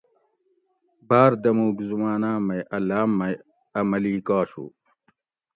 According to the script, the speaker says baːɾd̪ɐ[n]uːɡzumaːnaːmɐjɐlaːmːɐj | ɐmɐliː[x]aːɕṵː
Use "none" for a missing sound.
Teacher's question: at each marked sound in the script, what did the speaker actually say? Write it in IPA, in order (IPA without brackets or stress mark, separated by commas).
m, k